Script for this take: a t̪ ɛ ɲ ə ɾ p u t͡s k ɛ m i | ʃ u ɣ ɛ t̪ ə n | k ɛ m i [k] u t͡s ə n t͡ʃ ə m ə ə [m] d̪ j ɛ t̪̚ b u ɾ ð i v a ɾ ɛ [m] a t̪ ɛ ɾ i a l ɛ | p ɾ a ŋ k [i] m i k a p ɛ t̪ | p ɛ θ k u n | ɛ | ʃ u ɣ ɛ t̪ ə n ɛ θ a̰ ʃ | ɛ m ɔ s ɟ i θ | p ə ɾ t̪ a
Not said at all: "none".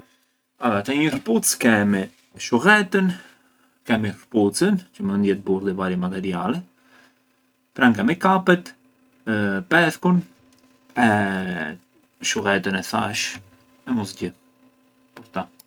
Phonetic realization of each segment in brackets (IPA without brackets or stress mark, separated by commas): p, n, m, ɛ